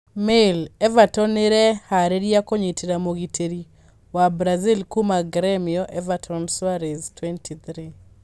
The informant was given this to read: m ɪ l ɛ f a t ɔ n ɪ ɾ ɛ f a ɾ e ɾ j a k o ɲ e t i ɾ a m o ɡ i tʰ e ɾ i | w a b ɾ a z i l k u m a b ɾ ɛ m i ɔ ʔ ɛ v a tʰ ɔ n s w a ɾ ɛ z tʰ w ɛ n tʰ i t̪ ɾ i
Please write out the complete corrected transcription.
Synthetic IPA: m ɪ l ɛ v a t ɔ n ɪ ɾ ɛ h a ɾ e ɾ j a k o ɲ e t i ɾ a m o ɡ i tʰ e ɾ i | w a b ɾ a z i l k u m a ɡ ɾ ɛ m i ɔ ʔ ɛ v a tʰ ɔ n s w a ɾ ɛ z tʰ w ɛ n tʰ i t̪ ɾ i